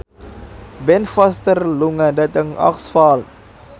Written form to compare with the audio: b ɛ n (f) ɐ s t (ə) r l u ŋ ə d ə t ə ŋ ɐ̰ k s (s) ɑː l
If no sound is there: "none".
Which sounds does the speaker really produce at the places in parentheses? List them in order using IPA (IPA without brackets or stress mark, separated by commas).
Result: f, ə, f